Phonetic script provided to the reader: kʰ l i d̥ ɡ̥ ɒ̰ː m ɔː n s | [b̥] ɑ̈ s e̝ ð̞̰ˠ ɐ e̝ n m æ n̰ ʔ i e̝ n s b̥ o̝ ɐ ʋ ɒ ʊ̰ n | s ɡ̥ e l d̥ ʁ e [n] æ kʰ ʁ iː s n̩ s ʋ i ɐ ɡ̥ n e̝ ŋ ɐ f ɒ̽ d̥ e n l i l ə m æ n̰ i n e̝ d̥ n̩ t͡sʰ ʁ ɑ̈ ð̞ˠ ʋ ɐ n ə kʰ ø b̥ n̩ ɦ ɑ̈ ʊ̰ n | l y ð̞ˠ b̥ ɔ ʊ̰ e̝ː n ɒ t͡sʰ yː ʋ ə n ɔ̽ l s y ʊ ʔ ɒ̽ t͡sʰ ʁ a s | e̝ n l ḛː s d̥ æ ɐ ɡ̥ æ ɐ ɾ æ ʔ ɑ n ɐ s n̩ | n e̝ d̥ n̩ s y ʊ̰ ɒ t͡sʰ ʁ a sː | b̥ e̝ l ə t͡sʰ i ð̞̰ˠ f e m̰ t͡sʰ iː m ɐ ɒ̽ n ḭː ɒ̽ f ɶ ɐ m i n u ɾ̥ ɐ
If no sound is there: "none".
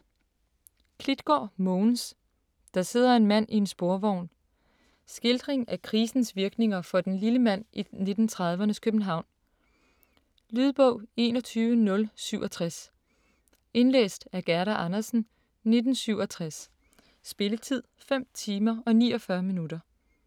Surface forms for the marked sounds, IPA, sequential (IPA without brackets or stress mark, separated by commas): d̥, ŋ